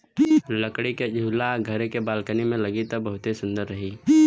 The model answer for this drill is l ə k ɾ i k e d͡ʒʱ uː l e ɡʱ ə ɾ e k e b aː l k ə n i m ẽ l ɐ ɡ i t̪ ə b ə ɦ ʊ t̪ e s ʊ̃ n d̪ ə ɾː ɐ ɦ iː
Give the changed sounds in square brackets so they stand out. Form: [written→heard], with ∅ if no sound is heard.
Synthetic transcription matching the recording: l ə k [ɾ→ɽ] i k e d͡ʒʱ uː l [e→a] ɡʱ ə ɾ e k e b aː l k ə n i m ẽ l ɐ ɡ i t̪ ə b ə ɦ ʊ t̪ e s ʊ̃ n d̪ ə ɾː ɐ ɦ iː